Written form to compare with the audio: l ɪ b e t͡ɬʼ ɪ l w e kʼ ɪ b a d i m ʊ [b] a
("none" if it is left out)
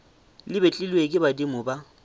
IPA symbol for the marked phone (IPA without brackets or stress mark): b